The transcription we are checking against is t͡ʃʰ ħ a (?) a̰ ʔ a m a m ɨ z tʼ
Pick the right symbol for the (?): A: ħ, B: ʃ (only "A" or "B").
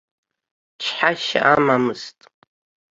B